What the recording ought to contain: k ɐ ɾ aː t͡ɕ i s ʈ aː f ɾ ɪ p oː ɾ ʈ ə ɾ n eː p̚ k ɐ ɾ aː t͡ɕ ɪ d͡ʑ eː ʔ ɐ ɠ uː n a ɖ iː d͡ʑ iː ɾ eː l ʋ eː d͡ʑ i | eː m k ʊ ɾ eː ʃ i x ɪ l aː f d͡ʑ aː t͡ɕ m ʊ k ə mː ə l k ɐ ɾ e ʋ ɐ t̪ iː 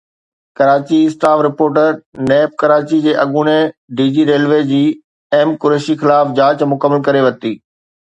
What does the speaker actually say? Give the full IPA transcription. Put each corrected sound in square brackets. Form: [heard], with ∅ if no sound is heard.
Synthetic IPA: k ɐ ɾ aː t͡ɕ i s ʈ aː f ɾ ɪ p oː ɾ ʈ ə ɾ n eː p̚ k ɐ ɾ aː t͡ɕ [i] d͡ʑ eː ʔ ɐ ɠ uː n [e] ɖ iː d͡ʑ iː ɾ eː l ʋ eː d͡ʑ [iː] | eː m k ʊ ɾ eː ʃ i x ɪ l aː f d͡ʑ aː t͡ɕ m ʊ k ə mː ə l k ɐ ɾ e ʋ ɐ t̪ iː